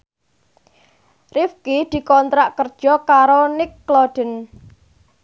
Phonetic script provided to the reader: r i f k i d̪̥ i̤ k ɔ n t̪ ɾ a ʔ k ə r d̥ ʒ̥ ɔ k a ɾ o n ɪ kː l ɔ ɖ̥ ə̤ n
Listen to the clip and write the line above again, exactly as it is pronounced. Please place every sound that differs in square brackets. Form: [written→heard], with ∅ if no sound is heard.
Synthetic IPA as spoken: r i f k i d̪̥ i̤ k ɔ n t̪ ɾ a ʔ k ə r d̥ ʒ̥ ɔ k a ɾ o n ɪ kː l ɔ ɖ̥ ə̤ n